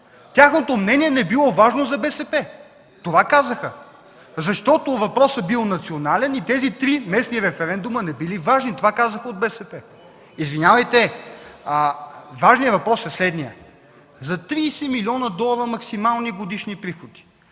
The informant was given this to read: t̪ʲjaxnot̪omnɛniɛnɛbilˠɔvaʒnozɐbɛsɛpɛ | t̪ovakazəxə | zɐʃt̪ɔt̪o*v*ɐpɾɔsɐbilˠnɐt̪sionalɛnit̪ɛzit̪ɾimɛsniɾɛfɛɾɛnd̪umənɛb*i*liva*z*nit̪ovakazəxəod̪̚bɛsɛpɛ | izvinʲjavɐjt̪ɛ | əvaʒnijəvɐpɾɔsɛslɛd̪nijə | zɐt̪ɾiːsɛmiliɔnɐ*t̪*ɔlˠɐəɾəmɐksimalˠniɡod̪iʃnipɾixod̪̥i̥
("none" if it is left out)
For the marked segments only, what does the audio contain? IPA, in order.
v, i, ʒ, d̪

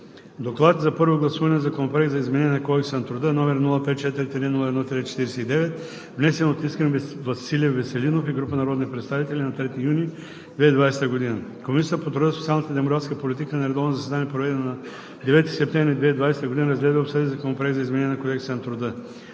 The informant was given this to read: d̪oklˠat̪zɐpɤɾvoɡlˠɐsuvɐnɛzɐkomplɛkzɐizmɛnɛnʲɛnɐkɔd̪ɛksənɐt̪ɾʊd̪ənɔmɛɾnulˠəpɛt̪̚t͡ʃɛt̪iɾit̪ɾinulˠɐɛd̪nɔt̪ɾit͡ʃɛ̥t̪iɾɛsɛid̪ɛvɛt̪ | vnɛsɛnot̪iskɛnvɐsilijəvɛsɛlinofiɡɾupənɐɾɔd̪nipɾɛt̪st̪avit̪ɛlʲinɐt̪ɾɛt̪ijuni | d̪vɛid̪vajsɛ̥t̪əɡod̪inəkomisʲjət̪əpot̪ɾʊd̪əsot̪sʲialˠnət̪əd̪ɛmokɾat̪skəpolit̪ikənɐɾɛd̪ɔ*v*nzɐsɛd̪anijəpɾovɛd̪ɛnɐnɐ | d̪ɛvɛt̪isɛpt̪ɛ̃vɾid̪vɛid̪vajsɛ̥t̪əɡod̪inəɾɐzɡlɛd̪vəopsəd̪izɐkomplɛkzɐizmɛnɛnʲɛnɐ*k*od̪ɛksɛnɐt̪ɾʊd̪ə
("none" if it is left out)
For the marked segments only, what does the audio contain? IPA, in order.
v, k

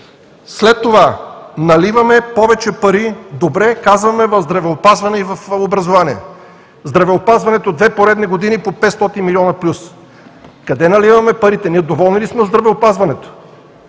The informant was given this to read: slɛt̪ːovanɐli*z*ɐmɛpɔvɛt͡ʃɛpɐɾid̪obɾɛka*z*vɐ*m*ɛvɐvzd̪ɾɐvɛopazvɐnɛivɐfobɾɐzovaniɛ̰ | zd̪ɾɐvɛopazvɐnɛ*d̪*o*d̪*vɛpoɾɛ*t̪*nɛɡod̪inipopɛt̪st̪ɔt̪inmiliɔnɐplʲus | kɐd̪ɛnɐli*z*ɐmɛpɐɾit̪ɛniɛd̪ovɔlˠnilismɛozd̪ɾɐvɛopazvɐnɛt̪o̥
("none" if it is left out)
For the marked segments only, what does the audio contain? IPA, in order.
v, z, m, t̪, d̪, d̪, v

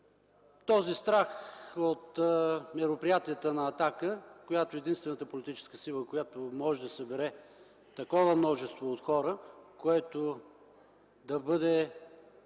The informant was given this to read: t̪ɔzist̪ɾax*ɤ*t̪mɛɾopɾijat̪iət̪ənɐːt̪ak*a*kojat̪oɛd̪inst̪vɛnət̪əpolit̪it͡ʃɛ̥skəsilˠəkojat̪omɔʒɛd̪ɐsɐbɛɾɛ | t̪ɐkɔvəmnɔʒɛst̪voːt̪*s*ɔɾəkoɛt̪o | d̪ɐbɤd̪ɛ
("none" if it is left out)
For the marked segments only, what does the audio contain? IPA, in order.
o, ə, x

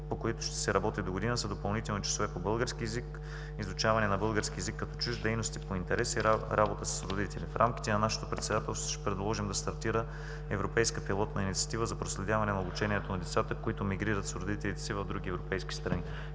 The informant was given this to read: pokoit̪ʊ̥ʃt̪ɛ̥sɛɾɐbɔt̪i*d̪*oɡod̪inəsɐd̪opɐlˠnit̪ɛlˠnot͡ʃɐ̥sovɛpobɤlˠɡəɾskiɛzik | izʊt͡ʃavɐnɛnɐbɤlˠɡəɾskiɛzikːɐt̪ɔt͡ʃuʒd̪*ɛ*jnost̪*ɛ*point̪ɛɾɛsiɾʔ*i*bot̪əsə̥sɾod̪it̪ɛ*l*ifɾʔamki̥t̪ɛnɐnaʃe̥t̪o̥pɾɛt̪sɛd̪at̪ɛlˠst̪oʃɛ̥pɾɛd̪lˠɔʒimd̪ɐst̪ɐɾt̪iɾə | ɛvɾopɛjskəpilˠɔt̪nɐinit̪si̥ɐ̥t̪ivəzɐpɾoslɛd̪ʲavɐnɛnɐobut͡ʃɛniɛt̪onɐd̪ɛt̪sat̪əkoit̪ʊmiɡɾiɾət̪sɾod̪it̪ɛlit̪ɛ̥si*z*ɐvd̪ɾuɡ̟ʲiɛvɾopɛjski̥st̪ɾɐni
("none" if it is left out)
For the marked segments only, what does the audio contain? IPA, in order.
d̪, ɛ, i, a, l, v

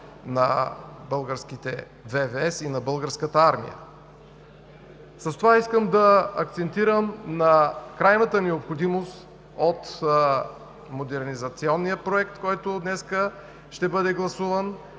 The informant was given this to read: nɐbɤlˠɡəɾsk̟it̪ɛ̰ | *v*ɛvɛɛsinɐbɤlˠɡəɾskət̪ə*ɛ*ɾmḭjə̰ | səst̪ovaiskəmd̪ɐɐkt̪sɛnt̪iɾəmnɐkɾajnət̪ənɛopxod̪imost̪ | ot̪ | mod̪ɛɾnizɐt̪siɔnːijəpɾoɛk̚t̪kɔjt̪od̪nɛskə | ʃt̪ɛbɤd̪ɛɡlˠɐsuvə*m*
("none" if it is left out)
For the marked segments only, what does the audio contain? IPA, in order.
v, a, n

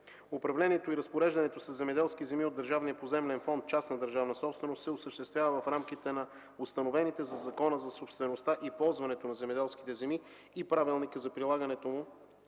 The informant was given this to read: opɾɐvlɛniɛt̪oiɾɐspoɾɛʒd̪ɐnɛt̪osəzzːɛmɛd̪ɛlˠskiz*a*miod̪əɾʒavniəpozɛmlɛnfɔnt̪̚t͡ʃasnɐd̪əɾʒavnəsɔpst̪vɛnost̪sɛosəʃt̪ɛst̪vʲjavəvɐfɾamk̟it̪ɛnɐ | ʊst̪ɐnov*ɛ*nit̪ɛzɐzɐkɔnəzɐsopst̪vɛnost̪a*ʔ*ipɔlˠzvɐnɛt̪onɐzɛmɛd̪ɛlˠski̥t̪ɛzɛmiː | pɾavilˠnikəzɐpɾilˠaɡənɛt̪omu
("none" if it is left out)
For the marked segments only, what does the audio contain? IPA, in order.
ɛ, ɛ, ʔ

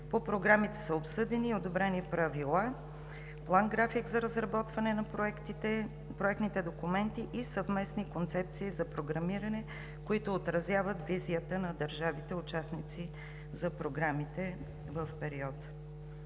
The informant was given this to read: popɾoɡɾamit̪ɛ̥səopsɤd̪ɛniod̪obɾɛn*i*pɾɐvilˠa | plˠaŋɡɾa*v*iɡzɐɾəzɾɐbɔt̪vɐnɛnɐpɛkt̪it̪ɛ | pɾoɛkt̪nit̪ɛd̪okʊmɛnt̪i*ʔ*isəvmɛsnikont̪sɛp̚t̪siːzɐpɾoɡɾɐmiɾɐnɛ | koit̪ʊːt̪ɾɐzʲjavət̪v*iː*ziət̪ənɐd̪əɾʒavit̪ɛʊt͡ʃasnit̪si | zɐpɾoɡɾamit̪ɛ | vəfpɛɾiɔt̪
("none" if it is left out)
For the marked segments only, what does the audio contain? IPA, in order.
i, f, ʔ, i

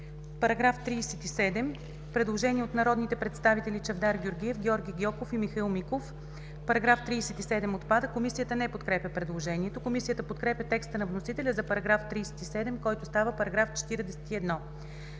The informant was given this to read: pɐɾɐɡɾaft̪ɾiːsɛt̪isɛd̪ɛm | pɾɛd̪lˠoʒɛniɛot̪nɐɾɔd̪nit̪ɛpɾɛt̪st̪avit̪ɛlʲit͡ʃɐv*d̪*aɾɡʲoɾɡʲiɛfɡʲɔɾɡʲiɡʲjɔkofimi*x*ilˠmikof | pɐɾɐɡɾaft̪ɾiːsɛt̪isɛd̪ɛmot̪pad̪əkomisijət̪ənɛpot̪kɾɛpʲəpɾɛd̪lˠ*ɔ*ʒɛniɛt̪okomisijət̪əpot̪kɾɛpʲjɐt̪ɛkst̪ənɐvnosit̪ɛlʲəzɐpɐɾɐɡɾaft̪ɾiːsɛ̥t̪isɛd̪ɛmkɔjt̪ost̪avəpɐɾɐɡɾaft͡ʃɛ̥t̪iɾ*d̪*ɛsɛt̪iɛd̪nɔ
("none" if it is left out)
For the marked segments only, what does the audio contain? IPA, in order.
d̪, x, o, d̪

